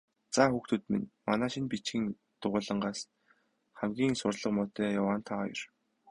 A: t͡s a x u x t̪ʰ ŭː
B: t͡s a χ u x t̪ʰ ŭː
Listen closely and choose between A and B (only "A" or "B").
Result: A